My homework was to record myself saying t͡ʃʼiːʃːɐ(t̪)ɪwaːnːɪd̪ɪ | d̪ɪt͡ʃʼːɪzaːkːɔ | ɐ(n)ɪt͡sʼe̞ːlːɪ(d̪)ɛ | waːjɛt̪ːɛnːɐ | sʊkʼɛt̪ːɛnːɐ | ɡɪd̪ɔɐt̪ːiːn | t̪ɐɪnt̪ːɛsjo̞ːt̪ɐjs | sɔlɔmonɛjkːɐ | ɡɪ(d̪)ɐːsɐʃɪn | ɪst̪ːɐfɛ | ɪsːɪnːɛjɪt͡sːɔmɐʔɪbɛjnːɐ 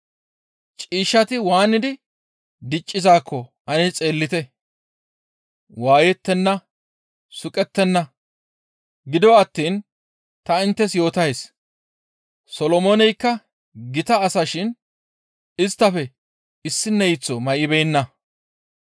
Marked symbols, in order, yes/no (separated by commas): yes, yes, no, no